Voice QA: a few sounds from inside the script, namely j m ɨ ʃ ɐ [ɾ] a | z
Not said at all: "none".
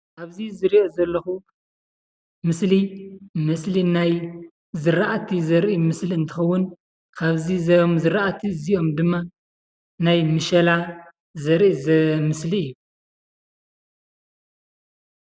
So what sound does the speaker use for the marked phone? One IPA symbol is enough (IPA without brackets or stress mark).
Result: l